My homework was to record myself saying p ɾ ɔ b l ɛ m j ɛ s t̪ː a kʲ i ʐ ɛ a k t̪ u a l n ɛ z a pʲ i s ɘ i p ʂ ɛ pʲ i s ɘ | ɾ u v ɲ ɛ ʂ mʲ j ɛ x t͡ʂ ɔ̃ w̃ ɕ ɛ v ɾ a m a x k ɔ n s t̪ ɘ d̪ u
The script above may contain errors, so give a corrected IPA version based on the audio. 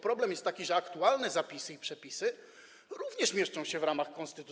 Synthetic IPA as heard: p ɾ ɔ b l ɛ m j ɛ s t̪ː a kʲ i ʐ ɛ a k t̪ u a l n ɛ z a pʲ i s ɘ i p ʂ ɛ pʲ i s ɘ | ɾ u v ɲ ɛ ʂ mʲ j ɛ ʂ t͡ʂ ɔ̃ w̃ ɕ ɛ v ɾ a m a x k ɔ n s t̪ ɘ t̪ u